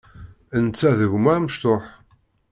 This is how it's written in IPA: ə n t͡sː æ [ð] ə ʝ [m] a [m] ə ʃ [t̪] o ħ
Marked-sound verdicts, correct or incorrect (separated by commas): correct, correct, correct, correct